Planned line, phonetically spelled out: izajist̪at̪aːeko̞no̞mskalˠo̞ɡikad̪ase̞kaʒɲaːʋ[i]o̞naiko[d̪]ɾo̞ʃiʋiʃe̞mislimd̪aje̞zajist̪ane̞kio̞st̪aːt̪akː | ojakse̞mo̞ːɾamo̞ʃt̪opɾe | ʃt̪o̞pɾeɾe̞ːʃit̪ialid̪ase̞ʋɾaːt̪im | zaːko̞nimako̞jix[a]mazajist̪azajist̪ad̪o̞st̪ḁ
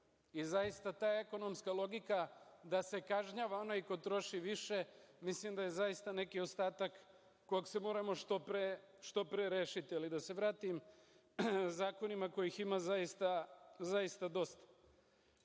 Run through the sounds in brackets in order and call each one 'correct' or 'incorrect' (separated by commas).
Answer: incorrect, incorrect, incorrect